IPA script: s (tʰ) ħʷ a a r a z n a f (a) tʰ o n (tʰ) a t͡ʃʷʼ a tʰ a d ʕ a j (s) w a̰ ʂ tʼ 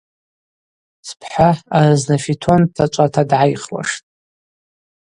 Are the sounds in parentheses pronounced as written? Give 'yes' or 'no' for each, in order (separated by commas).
no, no, yes, no